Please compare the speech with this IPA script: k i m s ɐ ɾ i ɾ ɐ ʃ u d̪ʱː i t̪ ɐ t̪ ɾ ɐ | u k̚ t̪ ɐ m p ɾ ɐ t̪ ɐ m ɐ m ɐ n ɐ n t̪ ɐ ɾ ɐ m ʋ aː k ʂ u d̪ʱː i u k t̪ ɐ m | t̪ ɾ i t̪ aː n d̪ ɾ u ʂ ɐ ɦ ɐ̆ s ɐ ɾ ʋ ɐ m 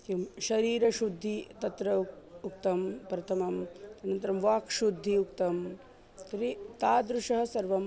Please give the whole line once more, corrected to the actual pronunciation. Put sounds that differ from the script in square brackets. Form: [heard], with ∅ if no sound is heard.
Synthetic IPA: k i m [ʃ] ɐ ɾ [iː] ɾ ɐ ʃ u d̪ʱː i t̪ ɐ t̪ ɾ ɐ | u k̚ t̪ ɐ m p ɾ ɐ [t̪ʰ] ɐ m ɐ m ɐ n ɐ n t̪ ɐ ɾ ɐ m ʋ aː k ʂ u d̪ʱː i u k t̪ ɐ m | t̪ ɾ i t̪ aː [∅] d̪ ɾ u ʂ ɐ ɦ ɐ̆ s ɐ ɾ ʋ ɐ m

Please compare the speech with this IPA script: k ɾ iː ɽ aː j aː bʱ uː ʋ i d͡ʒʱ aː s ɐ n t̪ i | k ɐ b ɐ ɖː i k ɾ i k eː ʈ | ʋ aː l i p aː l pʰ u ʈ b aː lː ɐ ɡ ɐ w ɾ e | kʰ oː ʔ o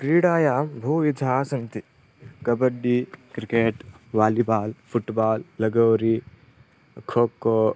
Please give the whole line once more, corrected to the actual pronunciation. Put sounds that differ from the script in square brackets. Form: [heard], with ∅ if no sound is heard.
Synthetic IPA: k ɾ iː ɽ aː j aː bʱ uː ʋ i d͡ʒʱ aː s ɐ n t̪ i | k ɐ b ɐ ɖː i k ɾ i k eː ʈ | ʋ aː l i [b] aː l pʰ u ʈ b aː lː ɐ ɡ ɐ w ɾ [i] | kʰ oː [k] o

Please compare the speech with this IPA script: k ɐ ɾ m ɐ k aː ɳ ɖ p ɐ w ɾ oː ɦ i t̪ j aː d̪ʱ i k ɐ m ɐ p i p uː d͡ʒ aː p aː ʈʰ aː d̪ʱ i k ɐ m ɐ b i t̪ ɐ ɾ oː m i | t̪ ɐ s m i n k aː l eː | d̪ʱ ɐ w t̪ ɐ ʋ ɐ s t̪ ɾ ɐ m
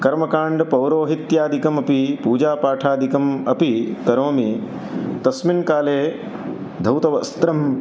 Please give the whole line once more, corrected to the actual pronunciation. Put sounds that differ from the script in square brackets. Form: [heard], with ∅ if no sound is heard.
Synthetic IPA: k ɐ ɾ m ɐ k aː ɳ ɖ p ɐ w ɾ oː ɦ i t̪ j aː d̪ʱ i k ɐ m ɐ p i p uː d͡ʒ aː p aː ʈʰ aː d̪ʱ i k ɐ m ɐ [p] i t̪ ɐ ɾ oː m i | t̪ ɐ s m i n k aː l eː | d̪ʱ ɐ w t̪ ɐ ʋ ɐ s t̪ ɾ ɐ m

